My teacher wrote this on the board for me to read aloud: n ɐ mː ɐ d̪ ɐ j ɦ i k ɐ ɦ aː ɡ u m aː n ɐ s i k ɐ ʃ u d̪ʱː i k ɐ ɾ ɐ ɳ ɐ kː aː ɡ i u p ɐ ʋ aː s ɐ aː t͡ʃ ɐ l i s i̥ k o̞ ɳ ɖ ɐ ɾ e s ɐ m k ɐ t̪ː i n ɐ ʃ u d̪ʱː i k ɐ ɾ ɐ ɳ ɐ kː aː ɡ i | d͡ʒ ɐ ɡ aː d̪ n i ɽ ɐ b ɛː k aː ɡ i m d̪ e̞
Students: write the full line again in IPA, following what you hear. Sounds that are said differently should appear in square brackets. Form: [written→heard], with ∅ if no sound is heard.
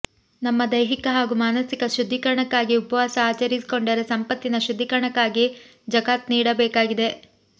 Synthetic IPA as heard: n ɐ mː ɐ d̪ ɐ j ɦ i k ɐ ɦ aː ɡ u m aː n ɐ s i k ɐ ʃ u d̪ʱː i k ɐ ɾ ɐ ɳ ɐ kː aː ɡ i u p ɐ ʋ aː s ɐ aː t͡ʃ ɐ [l→ɾ] i s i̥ k o̞ ɳ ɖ ɐ ɾ e s ɐ m [k→p] ɐ t̪ː i n ɐ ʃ u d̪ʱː i k ɐ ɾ ɐ ɳ ɐ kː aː ɡ i | d͡ʒ ɐ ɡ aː [d̪→t̪] n [i→iː] ɽ ɐ b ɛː k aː ɡ i [m→∅] d̪ e̞

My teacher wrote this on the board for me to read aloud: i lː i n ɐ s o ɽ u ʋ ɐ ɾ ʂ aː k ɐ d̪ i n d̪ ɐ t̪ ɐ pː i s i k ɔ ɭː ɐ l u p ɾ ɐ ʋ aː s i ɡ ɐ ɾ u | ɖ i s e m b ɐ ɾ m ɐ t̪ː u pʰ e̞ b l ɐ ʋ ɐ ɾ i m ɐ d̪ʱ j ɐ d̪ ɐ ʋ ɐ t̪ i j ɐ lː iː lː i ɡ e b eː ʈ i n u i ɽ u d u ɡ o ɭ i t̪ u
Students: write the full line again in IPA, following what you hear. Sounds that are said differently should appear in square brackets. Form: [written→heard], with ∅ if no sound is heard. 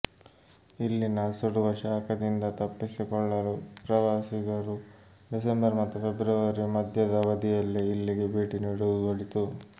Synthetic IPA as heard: i lː i n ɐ s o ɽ u ʋ ɐ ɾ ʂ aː k ɐ d̪ i n d̪ ɐ t̪ ɐ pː i s i k ɔ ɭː ɐ l u p ɾ ɐ ʋ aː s i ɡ ɐ ɾ u | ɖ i s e m b ɐ ɾ m ɐ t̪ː u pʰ e̞ b [l→ɾ] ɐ ʋ ɐ ɾ i m ɐ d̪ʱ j ɐ d̪ ɐ ʋ ɐ [t̪→d̪] i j ɐ lː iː lː i ɡ e b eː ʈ i n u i ɽ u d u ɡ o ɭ i t̪ u

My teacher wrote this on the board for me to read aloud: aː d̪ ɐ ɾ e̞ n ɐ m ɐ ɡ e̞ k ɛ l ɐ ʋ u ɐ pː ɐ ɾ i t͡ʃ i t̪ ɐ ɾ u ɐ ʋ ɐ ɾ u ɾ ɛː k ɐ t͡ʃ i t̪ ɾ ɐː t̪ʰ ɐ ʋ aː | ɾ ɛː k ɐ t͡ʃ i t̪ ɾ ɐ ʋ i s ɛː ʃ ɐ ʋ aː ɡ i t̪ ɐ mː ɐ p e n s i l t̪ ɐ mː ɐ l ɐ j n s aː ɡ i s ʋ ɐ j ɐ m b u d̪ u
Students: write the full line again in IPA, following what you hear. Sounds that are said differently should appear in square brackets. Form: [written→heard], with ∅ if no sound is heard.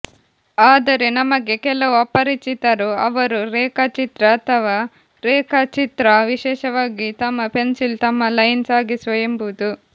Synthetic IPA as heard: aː d̪ ɐ ɾ e̞ n ɐ m ɐ ɡ e̞ k ɛ l ɐ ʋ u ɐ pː ɐ ɾ i t͡ʃ i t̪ ɐ ɾ u ɐ ʋ ɐ ɾ u ɾ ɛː k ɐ t͡ʃ i t̪ ɾ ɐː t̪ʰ ɐ ʋ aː | ɾ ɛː k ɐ t͡ʃ i t̪ ɾ ɐ ʋ i [s→ʃ] ɛː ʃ ɐ ʋ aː ɡ i t̪ ɐ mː ɐ p e n s i l t̪ ɐ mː ɐ l ɐ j n s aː ɡ i s ʋ ɐ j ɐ m b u d̪ u

